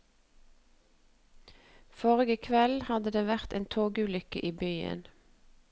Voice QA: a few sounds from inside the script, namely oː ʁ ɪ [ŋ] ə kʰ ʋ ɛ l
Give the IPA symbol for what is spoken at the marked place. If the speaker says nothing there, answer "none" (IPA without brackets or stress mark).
ɡ